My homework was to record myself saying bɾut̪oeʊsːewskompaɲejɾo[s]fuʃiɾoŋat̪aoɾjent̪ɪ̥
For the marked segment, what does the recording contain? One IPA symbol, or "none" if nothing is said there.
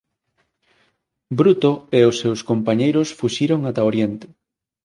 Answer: s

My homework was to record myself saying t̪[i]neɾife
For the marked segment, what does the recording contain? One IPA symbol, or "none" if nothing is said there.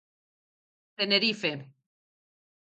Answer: e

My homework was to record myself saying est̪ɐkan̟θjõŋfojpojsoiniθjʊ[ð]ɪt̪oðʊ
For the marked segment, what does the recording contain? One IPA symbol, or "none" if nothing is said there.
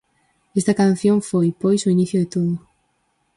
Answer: ð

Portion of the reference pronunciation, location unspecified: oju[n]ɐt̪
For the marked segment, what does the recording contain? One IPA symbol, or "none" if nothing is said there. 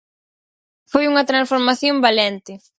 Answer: ŋ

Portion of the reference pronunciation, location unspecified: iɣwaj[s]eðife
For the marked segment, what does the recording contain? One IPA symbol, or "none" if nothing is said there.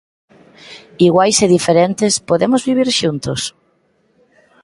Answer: s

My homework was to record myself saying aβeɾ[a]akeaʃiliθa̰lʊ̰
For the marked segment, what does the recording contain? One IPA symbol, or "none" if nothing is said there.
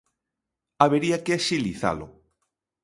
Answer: i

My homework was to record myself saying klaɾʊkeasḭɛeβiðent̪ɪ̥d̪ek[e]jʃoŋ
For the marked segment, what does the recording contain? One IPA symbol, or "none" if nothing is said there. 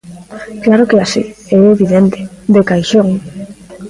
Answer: a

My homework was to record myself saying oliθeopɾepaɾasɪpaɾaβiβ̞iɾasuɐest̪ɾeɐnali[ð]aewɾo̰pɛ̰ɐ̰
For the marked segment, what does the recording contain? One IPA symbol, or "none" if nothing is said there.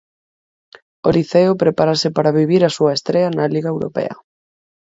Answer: ɣ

